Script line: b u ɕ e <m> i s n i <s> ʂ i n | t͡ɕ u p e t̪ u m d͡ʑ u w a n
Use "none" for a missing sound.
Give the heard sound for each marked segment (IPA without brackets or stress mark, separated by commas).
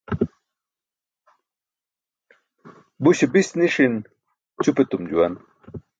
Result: b, none